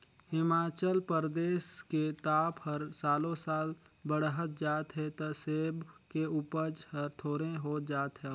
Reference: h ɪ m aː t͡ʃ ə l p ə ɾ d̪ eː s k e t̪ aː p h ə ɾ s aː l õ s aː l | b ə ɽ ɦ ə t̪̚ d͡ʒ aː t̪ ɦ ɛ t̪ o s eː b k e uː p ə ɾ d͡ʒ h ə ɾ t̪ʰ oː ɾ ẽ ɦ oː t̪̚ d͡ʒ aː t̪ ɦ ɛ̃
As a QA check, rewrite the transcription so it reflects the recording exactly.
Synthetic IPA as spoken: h ɪ m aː t͡ʃ ə l p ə ɾ d̪ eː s k e t̪ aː p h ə ɾ s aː l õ s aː l | b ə ɽ ɦ ə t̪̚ d͡ʒ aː t̪ ɦ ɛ t̪ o s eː b k e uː p ə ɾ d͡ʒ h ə ɾ t̪ʰ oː ɾ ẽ ɦ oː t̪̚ d͡ʒ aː t̪ ɦ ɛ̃